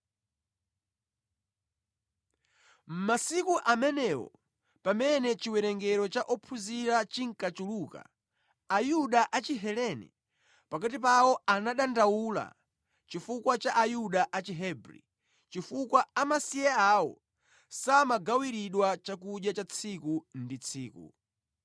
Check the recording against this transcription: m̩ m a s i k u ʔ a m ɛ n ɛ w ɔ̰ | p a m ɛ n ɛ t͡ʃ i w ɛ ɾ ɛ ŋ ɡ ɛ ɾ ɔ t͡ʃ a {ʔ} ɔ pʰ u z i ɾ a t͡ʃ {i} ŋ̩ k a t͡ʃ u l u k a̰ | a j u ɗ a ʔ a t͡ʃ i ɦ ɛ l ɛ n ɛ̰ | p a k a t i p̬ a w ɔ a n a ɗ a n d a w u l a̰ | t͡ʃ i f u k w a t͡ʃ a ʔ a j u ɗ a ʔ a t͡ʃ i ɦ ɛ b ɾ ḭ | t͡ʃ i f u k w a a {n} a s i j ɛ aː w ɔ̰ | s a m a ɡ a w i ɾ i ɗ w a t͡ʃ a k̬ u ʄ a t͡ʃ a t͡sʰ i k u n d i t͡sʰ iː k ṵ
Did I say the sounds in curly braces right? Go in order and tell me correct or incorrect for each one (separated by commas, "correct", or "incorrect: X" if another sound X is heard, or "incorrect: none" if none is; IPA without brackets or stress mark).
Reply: correct, correct, incorrect: m